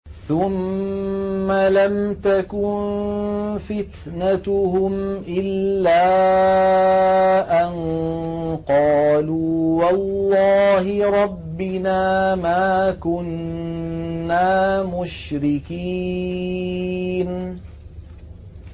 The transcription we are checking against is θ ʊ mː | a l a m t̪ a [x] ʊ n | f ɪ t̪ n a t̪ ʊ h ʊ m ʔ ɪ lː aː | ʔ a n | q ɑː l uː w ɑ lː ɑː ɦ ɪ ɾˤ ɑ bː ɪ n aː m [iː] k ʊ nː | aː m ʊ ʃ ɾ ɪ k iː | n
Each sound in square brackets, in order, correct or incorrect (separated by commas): incorrect, incorrect